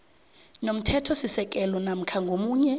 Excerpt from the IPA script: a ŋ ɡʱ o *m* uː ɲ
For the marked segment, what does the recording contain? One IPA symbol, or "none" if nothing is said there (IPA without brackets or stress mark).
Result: m